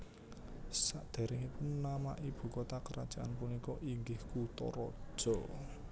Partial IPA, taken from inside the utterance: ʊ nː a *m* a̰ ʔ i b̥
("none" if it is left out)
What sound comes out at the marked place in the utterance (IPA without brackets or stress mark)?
m